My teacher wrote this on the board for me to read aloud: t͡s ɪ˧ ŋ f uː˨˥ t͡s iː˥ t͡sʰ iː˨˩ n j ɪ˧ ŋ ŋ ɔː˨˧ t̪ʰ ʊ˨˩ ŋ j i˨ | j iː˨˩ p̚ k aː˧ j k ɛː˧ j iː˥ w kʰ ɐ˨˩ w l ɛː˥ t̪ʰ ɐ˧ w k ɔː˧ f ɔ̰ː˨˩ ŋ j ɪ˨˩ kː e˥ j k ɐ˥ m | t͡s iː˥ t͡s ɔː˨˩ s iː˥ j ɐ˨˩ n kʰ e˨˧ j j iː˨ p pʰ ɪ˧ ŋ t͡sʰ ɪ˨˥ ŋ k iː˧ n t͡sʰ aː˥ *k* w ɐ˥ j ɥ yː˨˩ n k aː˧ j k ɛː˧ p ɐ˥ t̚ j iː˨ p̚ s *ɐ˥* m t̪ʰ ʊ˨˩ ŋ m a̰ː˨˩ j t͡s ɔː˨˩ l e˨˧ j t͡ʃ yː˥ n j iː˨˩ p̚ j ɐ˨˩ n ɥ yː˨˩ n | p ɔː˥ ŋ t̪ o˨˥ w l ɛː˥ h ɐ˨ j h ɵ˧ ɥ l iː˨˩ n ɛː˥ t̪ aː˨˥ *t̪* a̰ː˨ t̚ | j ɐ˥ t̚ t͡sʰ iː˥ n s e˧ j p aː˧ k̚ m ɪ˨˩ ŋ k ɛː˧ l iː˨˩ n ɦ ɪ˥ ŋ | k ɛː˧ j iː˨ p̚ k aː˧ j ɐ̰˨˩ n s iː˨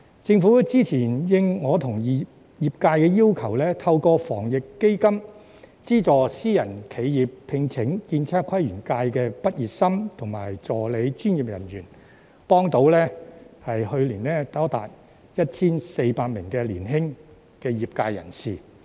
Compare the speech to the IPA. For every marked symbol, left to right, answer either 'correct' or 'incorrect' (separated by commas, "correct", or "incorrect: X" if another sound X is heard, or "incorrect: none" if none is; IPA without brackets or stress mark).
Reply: incorrect: kʰ, correct, correct